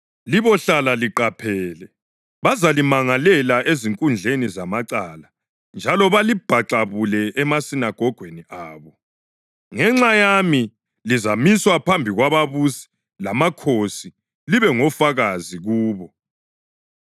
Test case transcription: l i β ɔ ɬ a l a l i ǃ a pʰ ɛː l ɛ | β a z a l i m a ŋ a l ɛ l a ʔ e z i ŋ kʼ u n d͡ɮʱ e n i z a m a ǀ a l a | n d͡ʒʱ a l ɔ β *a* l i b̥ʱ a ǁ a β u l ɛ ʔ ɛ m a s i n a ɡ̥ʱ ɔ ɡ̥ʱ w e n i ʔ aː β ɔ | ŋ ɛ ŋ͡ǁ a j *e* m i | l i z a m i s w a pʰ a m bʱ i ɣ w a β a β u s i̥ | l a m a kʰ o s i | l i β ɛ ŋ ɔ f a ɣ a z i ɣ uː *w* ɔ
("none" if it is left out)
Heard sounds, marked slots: a, a, β

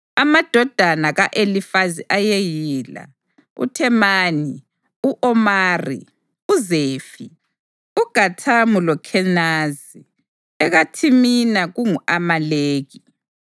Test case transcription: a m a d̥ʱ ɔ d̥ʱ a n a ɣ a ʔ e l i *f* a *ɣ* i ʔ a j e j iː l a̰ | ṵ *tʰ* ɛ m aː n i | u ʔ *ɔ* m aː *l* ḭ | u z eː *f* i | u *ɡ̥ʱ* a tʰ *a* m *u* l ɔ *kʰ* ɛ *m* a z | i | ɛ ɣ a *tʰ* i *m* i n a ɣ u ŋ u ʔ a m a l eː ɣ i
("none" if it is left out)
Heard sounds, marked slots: f, z, tʰ, ɔ, r, f, ɡ̥ʱ, a, u, kʰ, n, tʰ, m

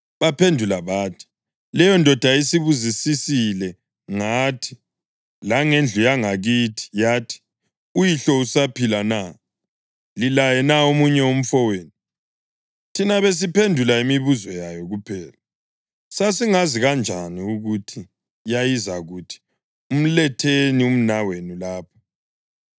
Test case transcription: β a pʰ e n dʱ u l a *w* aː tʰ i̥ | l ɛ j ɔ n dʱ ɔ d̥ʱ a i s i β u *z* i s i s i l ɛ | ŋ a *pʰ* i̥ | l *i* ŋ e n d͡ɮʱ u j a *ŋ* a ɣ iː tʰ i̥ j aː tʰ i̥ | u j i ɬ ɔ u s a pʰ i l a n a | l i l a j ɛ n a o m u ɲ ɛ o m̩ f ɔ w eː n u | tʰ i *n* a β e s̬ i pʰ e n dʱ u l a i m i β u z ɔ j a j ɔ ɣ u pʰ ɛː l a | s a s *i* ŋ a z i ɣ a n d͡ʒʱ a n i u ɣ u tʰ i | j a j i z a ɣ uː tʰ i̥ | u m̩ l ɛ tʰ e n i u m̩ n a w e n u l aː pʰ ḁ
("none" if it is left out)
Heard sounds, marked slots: β, z, tʰ, a, ŋ, n, i

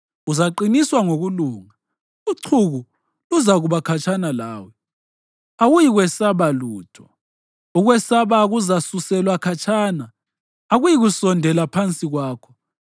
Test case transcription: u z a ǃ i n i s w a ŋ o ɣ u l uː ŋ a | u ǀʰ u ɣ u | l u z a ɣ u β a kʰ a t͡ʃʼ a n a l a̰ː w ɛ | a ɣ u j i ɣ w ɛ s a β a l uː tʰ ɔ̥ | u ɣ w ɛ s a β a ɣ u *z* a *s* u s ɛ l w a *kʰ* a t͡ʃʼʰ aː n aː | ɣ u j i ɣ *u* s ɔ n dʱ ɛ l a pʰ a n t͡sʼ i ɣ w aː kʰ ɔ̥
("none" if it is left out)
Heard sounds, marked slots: z, s, kʰ, u

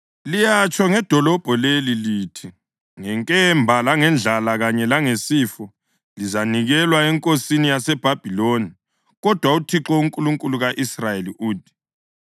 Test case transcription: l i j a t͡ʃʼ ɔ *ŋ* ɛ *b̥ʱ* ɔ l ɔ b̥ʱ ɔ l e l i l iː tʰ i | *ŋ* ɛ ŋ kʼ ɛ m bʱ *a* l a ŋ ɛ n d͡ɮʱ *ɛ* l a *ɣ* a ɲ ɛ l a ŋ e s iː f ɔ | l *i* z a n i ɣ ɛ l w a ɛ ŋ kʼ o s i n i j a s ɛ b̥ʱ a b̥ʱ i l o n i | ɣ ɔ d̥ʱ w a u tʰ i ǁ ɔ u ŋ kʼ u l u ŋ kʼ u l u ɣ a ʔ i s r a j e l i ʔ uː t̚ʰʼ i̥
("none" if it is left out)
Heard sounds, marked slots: ŋ, d̥ʱ, ŋ, a, a, ɣ, i

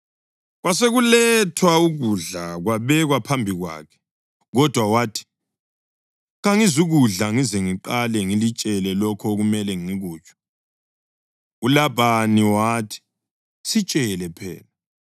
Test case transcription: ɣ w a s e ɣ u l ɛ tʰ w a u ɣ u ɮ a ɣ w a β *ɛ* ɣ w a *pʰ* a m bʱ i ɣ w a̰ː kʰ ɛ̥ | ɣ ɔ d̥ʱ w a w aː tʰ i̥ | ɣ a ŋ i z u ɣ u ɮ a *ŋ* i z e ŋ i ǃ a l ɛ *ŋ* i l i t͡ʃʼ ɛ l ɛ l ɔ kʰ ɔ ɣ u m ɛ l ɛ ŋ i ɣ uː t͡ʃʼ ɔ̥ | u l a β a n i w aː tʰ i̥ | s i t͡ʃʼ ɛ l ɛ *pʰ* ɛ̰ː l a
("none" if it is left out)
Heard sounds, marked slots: ɛ, pʰ, ŋ, ŋ, pʰ

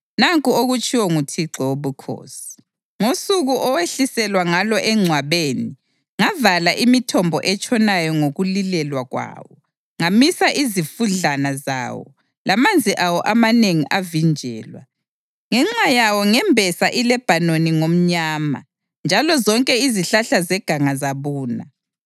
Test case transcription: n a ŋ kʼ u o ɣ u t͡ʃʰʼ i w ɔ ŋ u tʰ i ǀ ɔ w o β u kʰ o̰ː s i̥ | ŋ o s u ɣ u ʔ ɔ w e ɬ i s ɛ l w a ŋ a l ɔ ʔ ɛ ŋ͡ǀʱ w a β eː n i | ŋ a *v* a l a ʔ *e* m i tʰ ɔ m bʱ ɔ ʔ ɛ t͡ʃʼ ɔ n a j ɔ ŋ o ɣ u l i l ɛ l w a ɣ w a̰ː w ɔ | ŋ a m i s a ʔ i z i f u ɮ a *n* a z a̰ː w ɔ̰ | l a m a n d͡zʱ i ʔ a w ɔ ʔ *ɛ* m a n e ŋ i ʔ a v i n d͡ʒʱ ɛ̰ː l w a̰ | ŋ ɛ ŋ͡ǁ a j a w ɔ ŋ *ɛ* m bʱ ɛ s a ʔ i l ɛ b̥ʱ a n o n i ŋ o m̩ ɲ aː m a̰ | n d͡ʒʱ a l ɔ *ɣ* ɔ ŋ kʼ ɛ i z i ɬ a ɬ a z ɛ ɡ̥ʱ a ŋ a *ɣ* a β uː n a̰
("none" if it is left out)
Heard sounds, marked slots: v, i, n, a, ɛ, z, z

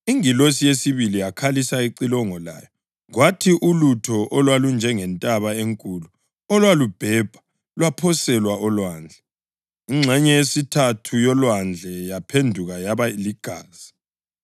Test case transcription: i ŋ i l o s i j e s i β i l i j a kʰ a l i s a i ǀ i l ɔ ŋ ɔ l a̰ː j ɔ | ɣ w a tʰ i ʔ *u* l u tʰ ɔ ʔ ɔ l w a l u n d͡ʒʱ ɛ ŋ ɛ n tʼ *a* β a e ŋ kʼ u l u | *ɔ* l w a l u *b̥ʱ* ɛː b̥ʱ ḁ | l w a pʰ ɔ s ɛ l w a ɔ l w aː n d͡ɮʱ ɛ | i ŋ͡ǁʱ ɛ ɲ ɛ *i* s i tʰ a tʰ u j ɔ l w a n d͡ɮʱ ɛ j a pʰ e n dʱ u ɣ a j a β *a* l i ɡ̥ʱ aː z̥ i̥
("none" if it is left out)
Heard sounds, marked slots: u, a, ɔ, b̥ʱ, e, a

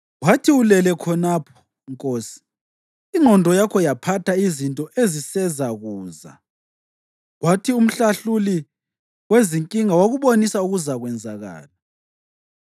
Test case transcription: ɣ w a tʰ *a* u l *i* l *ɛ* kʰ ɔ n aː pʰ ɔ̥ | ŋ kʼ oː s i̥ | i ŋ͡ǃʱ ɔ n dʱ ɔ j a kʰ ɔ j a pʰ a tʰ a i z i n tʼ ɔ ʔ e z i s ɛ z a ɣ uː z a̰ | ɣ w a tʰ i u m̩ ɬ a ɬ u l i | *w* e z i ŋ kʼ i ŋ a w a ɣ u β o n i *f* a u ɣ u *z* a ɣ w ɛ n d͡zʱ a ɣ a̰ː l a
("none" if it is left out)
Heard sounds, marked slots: i, ɛ, ɛ, w, s, z

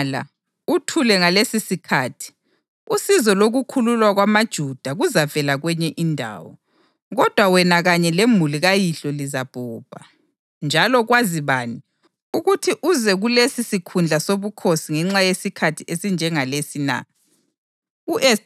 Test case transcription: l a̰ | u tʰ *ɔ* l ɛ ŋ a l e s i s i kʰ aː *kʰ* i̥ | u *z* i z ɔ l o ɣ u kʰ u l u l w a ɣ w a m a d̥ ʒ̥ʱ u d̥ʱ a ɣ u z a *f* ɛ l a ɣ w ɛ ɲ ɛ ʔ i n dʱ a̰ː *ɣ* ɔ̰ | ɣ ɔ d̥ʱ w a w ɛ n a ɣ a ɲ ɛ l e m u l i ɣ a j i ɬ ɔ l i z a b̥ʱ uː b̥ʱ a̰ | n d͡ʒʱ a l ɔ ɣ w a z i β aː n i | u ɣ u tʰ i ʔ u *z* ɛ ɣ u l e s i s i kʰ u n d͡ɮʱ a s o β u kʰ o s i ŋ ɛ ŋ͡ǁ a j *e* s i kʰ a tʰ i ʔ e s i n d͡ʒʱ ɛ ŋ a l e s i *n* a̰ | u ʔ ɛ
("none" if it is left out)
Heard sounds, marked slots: u, tʰ, s, v, w, z, e, n

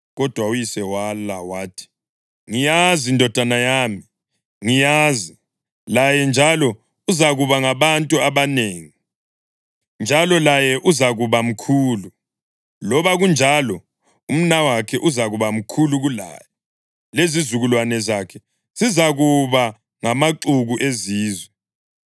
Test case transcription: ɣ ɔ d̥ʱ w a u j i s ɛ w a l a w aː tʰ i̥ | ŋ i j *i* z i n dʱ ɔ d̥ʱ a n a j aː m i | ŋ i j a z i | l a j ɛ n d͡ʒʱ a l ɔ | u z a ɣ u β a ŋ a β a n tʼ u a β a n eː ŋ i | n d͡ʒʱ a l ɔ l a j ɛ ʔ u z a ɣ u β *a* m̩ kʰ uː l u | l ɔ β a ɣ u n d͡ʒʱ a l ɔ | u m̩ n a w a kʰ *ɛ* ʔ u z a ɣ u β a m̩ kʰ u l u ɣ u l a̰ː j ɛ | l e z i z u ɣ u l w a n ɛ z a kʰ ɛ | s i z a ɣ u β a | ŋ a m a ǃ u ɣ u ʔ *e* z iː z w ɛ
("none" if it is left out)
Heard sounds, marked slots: a, a, ɛ, e

